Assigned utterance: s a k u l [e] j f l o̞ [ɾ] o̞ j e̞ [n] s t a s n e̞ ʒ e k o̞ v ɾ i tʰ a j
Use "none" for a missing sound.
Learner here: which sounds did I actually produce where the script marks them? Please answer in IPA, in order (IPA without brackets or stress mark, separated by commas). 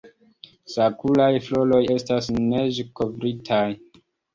a, l, none